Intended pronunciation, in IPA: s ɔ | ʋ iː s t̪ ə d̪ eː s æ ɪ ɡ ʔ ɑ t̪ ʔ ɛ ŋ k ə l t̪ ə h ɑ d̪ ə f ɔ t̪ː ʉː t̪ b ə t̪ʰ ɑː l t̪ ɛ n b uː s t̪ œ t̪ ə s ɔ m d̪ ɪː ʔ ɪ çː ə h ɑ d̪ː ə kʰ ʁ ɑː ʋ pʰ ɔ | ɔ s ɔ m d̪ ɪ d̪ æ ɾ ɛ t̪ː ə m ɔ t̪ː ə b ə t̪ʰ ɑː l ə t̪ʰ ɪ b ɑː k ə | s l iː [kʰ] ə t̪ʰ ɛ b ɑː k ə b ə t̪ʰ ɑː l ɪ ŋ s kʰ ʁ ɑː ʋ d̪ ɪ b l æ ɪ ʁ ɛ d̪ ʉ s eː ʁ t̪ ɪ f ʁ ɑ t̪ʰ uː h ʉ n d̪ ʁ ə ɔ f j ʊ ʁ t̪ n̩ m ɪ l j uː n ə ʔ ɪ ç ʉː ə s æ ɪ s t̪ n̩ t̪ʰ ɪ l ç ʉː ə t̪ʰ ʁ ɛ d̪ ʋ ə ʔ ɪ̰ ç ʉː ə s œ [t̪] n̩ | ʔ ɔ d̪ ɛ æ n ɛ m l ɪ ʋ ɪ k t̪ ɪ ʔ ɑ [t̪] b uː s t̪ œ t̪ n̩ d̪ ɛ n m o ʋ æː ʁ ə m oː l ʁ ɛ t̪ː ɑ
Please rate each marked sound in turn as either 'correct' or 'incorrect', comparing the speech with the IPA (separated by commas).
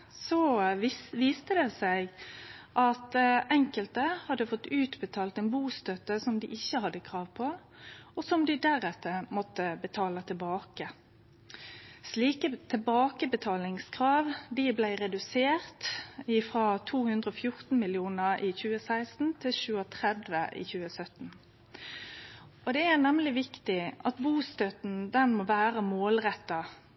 incorrect, correct, correct